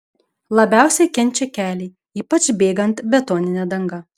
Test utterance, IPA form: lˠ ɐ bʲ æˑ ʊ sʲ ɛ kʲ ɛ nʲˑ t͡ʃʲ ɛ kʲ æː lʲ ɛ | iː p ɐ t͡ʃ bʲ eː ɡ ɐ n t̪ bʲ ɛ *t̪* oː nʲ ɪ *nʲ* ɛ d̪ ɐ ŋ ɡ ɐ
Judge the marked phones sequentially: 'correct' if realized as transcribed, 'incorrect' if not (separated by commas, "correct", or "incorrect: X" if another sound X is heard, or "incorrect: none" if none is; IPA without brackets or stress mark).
correct, correct